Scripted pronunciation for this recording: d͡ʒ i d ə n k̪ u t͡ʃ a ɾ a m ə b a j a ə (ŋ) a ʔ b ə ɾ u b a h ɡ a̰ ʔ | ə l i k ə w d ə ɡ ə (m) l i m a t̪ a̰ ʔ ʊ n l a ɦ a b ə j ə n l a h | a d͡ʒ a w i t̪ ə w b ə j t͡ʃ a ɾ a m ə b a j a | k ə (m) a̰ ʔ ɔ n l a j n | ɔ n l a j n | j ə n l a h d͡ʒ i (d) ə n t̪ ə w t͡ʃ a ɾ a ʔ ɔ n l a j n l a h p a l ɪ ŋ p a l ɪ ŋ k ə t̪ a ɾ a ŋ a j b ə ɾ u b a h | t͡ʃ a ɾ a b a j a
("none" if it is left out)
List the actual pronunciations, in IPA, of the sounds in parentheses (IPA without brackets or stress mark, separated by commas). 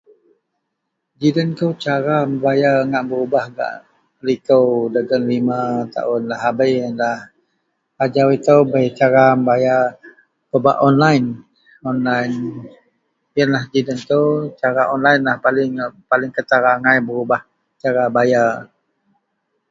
ŋ, n, b, d